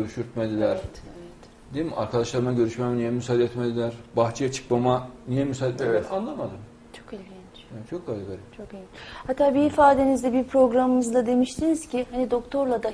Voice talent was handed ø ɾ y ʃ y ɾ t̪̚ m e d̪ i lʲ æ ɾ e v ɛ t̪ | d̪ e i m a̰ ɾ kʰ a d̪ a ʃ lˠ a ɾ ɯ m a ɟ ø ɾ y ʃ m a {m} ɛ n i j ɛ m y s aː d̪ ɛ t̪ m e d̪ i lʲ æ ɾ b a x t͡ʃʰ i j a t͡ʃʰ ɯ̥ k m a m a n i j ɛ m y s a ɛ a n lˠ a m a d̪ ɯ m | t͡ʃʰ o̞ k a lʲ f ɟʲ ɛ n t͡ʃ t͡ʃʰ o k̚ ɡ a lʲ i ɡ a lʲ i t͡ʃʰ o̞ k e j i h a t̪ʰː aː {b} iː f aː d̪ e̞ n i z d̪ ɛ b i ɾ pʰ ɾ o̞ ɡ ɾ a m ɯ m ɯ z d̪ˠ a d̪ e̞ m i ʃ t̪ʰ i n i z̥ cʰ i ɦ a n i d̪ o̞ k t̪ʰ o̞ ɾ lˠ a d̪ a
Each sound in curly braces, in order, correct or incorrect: correct, correct

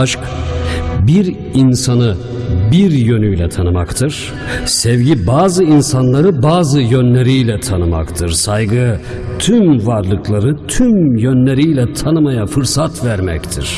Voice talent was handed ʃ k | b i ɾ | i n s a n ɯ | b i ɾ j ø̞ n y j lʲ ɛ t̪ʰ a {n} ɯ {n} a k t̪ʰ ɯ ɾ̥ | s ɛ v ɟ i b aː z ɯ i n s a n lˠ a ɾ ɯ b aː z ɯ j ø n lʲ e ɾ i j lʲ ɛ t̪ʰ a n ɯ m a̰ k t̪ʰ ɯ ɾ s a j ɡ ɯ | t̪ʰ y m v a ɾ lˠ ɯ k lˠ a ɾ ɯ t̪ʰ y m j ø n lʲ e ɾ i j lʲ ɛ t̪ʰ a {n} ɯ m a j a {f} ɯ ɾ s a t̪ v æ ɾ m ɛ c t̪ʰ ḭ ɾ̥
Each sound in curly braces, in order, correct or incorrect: correct, incorrect, correct, correct

